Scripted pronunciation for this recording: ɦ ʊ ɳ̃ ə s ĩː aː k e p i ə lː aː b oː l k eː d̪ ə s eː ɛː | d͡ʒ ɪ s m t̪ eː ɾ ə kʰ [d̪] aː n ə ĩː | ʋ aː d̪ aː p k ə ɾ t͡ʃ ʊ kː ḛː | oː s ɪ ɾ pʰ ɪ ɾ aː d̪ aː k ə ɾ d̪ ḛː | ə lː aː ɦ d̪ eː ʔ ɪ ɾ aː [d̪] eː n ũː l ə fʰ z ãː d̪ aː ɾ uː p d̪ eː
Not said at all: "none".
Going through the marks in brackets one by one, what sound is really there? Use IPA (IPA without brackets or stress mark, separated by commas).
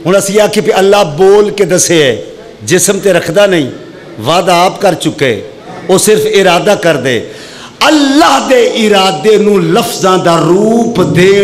d̪, d̪